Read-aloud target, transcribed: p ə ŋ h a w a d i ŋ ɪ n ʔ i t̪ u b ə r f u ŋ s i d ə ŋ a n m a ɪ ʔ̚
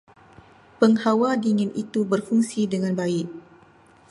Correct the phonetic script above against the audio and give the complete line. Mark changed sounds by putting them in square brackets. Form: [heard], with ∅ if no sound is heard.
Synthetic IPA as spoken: p ə ŋ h a w a d i ŋ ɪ n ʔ i t̪ u b ə r f u ŋ s i d ə ŋ a n [b] a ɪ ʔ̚